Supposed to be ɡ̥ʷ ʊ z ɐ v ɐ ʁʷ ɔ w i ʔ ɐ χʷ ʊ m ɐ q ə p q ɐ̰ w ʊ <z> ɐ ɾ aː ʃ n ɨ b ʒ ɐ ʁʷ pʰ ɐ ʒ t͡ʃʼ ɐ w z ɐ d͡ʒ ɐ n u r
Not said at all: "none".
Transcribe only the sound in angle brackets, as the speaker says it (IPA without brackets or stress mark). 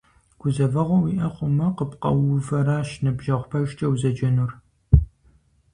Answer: v